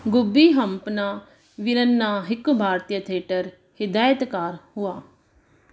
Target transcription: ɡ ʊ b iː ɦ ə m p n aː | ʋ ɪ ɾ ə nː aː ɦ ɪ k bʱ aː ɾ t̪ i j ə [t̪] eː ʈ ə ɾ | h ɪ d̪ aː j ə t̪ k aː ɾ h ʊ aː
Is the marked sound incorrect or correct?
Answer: incorrect